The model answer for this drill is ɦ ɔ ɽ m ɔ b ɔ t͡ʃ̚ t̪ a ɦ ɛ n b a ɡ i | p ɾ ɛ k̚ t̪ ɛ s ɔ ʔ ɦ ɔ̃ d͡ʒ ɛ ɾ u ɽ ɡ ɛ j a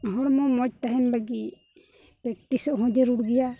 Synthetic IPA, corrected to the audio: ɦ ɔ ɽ m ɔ m ɔ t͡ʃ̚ t̪ a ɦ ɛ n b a ɡ i | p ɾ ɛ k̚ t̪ i s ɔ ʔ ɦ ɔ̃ d͡ʒ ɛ ɾ u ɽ ɡ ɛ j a